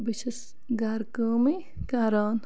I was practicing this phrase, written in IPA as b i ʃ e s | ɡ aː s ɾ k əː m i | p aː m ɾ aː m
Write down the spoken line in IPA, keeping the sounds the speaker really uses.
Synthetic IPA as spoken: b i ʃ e s | ɡ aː ɾ k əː m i | k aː ɾ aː n